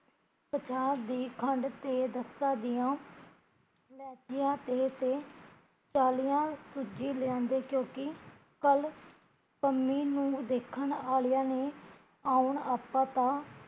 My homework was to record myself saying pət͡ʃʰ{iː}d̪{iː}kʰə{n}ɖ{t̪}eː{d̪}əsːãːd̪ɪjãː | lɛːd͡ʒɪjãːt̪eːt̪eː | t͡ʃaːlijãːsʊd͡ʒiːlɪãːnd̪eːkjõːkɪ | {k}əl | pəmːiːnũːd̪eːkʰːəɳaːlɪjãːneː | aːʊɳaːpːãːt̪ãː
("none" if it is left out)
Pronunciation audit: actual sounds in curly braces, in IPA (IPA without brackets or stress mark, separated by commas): aː, iː, ɳ, t̪, d̪, k